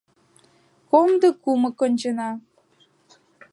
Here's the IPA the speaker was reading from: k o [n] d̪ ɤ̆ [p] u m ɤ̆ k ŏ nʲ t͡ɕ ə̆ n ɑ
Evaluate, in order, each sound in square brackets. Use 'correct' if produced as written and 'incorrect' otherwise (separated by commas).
incorrect, incorrect